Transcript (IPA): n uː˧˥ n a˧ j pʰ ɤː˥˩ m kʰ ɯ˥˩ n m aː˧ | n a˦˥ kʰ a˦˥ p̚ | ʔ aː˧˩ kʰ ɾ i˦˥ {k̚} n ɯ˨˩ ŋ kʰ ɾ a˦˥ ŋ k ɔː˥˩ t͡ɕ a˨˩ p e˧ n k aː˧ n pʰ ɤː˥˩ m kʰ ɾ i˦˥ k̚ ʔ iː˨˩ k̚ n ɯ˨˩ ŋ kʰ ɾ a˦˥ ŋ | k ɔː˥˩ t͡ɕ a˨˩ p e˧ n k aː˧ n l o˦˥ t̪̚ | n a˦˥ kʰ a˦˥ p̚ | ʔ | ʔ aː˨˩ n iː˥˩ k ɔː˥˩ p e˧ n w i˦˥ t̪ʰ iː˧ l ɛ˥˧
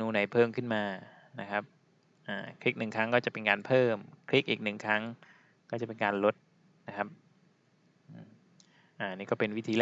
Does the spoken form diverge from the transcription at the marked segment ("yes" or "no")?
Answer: no